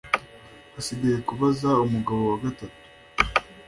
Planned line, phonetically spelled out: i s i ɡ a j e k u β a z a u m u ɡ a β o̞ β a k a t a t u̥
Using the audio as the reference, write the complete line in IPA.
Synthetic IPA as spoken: a s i ɡ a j e k u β a z a u m u ɡ a β o̞ w a ɡ a t a t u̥